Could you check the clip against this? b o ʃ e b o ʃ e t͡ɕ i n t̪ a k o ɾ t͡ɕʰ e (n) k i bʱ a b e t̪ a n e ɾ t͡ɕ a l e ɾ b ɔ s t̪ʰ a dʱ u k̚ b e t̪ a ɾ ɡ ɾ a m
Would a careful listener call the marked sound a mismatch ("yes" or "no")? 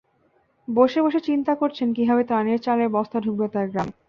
no